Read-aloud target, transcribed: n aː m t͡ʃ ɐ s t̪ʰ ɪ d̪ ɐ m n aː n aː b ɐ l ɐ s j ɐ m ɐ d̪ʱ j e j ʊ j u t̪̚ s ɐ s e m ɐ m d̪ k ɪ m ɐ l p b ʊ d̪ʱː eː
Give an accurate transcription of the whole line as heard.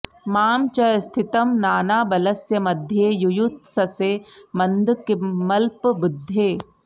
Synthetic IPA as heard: m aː m t͡ʃ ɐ s t̪ʰ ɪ t̪ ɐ m n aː n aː b ɐ l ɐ s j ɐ m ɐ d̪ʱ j e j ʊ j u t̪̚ s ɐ s e m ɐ n d̪ k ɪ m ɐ l p b ʊ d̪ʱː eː